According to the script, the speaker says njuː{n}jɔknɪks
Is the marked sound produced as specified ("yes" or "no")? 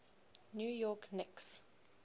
no